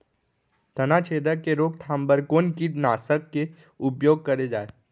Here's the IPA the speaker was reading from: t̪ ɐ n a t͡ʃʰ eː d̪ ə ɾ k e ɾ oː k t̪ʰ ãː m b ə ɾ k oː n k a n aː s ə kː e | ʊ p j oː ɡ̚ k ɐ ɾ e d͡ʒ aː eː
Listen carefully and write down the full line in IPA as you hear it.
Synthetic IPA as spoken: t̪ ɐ n a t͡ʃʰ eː d̪ ə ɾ k e ɾ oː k t̪ʰ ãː m b ə ɾ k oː n k i n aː s ə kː e | ʊ p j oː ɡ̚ k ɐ ɾ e d͡ʒ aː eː